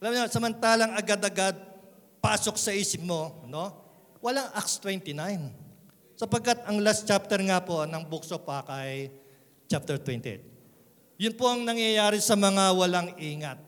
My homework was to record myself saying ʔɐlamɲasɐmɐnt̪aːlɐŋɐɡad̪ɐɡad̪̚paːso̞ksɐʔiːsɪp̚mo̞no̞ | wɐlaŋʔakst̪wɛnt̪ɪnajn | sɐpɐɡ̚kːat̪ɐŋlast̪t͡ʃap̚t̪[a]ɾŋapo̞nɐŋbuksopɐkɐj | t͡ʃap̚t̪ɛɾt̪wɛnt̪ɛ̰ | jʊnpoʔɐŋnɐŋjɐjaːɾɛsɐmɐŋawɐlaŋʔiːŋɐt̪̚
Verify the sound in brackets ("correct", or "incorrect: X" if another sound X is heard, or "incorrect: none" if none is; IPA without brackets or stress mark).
incorrect: ɛ